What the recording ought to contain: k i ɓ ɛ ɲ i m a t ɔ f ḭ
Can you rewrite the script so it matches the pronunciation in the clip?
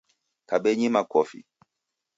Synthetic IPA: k a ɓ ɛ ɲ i m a k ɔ f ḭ